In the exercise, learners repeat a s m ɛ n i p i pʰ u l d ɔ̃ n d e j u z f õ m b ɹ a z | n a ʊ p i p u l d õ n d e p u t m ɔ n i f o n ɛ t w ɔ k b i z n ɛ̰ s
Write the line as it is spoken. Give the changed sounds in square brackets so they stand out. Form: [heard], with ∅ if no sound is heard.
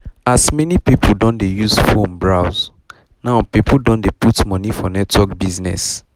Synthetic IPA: a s m ɛ n i p i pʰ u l d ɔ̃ n d e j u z f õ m b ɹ a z | n a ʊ p i p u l d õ n d e p u t m ɔ n i f [ɔ] n ɛ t w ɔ k b i z n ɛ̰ s

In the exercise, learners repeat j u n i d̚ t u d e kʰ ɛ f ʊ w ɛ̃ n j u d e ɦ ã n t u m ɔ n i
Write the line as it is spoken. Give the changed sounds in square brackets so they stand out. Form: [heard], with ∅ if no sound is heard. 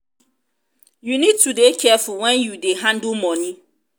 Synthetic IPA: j u n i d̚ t u d e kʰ ɛ f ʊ w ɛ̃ n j u d e ɦ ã n [d] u m ɔ n i

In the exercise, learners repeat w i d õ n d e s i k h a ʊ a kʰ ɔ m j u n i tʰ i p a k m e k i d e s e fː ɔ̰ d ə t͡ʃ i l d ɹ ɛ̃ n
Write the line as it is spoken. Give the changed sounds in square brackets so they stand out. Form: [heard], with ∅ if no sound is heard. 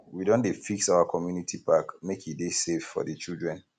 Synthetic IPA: w i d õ n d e [f] i k [s] a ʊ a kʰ ɔ m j u n i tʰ i p a k m e k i d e s e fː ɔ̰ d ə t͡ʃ i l d ɹ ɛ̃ n

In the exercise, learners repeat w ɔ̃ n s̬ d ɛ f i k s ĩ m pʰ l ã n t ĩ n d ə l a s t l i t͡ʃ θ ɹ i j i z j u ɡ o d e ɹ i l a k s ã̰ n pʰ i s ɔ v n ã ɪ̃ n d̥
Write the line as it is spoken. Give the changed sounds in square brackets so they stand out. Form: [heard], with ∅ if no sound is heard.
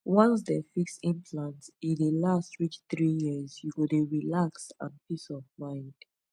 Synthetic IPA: w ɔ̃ n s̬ d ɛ f i k s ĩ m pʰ l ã n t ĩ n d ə l a s t [ɹ] i t͡ʃ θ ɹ i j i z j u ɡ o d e ɹ i l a k s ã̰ n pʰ i s ɔ v [m] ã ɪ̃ n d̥

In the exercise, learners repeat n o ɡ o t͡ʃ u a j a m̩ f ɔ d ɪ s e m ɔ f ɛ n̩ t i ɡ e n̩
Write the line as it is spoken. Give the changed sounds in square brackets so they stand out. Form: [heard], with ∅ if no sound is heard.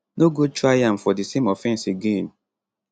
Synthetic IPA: n o ɡ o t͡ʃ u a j a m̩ f ɔ d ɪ s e m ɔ f ɛ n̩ [s] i ɡ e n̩

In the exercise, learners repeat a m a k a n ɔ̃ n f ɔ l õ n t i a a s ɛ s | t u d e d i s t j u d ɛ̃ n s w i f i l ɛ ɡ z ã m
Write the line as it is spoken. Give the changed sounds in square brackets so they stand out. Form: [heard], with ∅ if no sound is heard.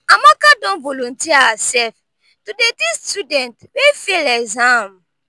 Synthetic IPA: a m a k a [d] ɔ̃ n [v] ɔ l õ n t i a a s ɛ [f] | t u d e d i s t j u d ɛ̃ n [t] w [e] f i l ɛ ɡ z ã m

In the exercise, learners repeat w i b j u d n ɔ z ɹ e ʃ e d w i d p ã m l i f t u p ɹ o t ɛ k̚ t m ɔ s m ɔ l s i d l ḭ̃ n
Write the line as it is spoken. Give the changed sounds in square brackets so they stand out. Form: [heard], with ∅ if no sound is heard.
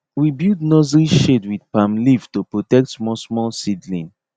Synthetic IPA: w i b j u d n ɔ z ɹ [i] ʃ e d w i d p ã m l i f t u p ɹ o t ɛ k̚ t m ɔ s m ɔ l s i d l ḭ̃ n

